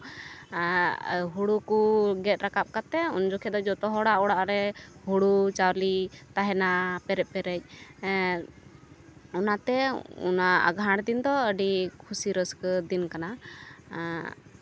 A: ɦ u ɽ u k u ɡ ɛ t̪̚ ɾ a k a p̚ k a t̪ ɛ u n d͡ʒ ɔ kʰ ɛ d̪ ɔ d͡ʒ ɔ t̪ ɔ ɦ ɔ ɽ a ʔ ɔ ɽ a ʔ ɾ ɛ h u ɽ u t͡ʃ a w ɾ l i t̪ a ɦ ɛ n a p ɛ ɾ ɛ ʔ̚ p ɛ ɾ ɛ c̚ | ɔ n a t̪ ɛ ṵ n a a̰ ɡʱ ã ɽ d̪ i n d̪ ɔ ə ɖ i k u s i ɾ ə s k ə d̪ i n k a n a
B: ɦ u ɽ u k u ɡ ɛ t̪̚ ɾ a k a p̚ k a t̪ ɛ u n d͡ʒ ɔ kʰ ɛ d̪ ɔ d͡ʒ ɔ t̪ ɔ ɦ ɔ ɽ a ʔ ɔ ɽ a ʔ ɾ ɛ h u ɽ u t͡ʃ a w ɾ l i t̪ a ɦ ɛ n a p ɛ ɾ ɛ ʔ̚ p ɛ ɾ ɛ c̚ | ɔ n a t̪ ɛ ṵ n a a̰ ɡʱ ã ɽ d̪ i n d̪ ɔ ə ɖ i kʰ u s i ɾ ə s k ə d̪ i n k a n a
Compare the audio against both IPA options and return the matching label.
B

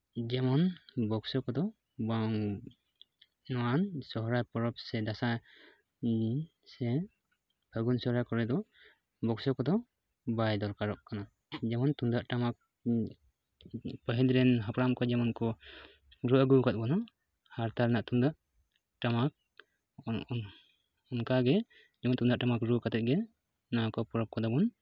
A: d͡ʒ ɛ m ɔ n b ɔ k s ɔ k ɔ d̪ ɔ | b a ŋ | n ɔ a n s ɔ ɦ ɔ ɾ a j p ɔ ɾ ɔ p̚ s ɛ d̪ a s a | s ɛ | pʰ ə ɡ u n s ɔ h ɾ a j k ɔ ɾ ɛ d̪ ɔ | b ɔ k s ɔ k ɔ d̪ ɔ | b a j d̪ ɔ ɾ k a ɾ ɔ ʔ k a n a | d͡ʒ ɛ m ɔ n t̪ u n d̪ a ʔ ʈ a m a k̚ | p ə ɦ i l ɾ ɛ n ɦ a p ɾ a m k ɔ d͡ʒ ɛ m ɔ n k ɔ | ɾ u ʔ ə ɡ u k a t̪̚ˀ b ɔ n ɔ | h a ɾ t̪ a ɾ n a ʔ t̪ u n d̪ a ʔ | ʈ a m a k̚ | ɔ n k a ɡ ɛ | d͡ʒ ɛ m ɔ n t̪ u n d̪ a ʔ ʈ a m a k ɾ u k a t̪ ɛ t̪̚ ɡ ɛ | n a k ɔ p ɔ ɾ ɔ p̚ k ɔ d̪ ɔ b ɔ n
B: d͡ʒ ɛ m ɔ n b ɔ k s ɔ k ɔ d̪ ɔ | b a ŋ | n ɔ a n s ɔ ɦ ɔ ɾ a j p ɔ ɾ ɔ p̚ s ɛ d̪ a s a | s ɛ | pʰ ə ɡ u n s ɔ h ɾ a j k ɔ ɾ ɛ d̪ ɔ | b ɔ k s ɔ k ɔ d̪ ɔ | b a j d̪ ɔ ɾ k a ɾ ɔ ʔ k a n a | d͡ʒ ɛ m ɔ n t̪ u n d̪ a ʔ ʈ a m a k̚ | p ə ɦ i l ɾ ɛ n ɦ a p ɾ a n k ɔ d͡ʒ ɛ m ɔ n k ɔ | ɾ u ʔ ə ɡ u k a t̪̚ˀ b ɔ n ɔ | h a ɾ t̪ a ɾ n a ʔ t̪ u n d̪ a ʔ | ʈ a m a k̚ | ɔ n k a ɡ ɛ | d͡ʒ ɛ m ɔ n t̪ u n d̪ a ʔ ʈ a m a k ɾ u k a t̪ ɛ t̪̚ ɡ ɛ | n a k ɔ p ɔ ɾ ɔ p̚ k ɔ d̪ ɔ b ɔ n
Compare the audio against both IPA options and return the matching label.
A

